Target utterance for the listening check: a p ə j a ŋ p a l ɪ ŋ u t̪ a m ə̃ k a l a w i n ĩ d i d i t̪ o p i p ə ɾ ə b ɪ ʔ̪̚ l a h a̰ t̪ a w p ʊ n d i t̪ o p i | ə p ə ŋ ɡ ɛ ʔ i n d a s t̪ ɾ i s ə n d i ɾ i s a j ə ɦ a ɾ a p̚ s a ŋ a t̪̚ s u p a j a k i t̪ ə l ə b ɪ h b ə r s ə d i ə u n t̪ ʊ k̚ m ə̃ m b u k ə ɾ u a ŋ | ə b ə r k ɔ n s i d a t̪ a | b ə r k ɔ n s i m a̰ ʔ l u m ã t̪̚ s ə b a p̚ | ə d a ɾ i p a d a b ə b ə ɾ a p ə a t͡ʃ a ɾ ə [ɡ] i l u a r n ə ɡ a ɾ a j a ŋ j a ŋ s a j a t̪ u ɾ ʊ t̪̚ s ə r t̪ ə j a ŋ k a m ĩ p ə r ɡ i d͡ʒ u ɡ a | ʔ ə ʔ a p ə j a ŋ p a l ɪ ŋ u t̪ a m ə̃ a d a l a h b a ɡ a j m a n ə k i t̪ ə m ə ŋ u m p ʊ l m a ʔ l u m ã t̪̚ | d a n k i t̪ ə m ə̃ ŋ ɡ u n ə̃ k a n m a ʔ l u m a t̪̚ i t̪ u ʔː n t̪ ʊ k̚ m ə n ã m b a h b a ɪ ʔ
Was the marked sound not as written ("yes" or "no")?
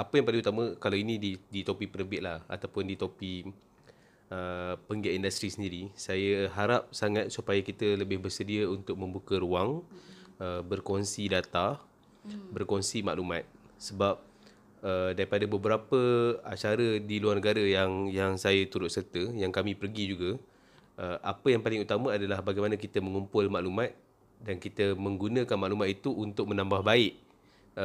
yes